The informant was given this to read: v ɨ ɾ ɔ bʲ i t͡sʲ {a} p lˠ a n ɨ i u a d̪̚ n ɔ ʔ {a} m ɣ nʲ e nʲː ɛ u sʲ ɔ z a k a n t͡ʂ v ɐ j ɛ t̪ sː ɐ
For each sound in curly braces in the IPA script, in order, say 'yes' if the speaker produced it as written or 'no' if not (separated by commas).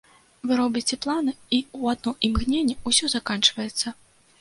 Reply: no, no